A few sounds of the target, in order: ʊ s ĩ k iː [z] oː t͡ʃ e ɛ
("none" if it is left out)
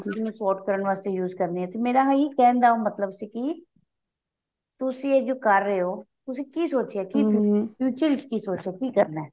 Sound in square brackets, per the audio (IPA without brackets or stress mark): s